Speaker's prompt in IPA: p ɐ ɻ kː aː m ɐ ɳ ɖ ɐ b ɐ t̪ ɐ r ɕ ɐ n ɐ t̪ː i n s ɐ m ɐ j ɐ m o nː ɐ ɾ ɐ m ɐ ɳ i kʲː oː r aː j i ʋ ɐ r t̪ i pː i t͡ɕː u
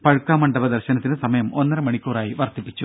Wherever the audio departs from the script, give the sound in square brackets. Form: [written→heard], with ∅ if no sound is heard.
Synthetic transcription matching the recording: p ɐ ɻ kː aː m ɐ ɳ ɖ ɐ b ɐ [t̪→d̪] ɐ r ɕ ɐ n ɐ t̪ː i n s ɐ m ɐ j ɐ m o nː ɐ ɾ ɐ m ɐ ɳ i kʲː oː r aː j i ʋ ɐ r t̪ i pː i t͡ɕː u